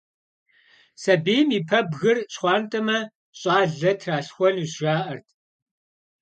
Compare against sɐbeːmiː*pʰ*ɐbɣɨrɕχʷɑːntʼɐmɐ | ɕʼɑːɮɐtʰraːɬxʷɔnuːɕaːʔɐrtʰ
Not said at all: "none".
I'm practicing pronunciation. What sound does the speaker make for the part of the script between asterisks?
pʰ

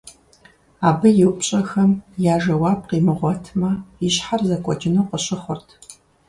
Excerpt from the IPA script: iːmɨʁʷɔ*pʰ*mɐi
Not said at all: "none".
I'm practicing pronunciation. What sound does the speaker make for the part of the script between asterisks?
tʰ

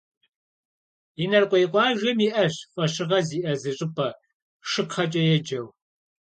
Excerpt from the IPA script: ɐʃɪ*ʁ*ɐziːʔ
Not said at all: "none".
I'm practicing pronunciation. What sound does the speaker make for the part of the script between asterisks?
ʁ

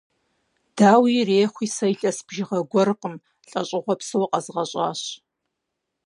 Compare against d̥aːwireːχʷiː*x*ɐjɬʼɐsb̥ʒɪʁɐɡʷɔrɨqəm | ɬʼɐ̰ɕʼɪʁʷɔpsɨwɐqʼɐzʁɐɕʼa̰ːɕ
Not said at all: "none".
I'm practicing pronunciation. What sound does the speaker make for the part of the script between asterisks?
s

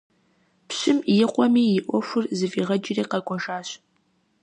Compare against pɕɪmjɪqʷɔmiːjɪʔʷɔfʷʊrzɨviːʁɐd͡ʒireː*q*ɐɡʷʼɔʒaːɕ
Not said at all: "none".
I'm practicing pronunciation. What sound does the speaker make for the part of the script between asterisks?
q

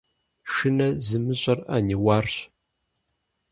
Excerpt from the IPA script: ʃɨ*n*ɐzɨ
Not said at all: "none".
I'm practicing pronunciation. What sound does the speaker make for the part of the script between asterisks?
n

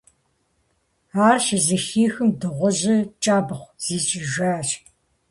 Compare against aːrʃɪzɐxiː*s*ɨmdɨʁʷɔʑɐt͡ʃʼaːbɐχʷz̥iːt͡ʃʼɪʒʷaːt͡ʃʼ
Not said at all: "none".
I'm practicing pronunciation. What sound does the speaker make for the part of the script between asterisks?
x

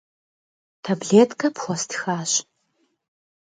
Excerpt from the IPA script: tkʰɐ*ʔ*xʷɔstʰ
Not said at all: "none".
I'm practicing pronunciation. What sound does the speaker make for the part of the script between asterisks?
p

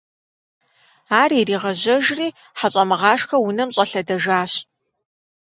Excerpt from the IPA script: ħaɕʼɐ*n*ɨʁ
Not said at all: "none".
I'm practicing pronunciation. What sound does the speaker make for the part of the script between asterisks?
m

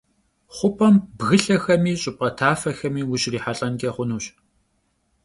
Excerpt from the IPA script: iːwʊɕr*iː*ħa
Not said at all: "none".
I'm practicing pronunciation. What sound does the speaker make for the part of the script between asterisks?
iː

